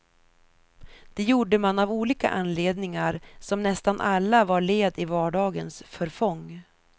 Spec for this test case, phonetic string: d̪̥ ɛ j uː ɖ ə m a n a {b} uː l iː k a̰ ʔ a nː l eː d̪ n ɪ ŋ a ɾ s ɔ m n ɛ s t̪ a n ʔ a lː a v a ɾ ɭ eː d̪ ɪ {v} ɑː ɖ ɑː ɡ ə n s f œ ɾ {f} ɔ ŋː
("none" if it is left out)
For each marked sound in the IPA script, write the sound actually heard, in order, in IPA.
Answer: v, v, f

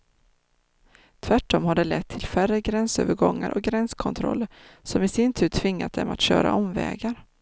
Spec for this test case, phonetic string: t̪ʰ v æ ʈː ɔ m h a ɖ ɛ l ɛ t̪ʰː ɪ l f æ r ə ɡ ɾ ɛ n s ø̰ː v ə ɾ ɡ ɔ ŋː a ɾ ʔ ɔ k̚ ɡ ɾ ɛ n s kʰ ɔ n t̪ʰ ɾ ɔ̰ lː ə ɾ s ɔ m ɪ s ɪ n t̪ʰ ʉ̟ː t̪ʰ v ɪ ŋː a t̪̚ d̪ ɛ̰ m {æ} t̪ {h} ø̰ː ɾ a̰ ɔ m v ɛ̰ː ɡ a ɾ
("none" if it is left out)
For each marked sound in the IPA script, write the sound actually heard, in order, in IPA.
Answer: a, ɕ

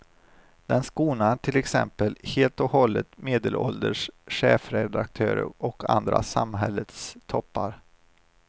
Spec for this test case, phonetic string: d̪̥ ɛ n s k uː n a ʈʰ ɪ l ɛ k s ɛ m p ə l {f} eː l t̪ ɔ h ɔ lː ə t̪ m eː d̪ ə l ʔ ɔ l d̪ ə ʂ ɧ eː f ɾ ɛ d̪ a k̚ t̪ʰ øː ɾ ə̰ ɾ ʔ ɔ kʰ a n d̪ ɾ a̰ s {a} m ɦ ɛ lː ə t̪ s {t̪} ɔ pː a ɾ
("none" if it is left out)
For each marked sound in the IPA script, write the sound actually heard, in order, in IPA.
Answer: h, a, t̪ʰ

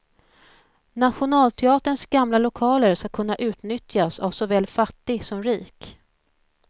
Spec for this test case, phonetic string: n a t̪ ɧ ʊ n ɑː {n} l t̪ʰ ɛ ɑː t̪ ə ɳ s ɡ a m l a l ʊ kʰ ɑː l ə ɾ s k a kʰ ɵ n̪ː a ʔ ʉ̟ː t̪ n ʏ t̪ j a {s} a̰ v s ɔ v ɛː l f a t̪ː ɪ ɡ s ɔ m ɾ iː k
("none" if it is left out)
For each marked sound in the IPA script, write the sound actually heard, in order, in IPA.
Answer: none, s

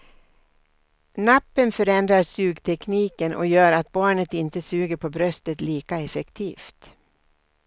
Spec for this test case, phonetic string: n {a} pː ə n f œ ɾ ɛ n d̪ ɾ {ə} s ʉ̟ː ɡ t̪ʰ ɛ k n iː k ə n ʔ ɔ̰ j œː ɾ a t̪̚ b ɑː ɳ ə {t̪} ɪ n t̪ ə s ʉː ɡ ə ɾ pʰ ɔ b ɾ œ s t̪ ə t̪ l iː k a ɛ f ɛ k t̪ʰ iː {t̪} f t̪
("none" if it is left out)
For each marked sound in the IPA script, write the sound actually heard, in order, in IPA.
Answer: a, a, t̪, none

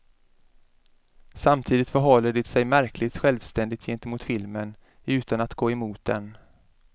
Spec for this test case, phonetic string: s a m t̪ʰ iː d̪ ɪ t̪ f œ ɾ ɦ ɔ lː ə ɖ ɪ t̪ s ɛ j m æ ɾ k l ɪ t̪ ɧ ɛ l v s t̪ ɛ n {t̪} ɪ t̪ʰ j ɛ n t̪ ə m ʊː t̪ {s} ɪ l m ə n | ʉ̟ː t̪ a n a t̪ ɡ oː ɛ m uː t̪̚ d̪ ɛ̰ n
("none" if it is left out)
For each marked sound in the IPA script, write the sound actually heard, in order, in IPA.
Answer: d̪, f

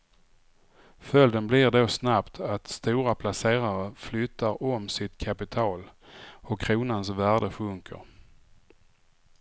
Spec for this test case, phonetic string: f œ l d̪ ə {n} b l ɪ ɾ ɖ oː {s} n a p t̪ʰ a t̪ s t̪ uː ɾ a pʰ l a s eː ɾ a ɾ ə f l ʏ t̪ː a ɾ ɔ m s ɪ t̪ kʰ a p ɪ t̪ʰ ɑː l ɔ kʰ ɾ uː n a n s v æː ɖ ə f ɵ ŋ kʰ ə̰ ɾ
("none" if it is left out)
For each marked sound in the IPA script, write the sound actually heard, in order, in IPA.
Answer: n, s

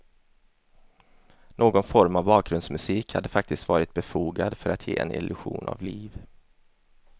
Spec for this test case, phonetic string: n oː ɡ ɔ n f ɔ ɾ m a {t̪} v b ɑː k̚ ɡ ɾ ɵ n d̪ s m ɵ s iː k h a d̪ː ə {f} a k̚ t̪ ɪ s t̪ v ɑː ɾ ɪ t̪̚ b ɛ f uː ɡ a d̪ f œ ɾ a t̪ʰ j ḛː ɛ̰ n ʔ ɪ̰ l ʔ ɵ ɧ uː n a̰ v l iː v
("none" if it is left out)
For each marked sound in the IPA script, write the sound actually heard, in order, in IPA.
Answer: none, f

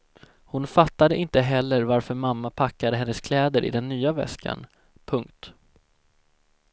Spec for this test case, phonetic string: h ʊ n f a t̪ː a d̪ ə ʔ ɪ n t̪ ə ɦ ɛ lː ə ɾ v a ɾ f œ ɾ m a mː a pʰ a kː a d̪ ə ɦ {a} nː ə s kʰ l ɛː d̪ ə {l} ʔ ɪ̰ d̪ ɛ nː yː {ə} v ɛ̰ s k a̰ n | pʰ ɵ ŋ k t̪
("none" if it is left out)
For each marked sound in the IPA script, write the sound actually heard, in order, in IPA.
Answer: ɛ, ɾ, a

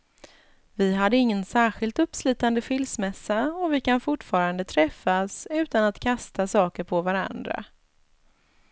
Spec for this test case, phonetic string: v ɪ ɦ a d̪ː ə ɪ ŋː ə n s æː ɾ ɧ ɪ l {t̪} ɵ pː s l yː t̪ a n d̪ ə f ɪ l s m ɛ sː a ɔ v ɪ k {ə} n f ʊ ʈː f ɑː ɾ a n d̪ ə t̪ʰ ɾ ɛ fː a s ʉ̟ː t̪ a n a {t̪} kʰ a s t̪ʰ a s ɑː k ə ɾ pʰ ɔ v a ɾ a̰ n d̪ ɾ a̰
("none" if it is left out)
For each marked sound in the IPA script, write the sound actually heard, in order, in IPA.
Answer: t̪, a, t̪

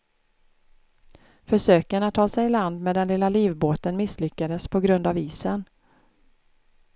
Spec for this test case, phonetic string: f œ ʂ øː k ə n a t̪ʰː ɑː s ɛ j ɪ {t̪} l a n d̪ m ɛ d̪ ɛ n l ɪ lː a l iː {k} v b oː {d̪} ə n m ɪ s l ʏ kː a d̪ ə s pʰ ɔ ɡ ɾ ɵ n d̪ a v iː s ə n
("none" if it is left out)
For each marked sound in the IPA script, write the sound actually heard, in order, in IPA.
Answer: none, none, t̪

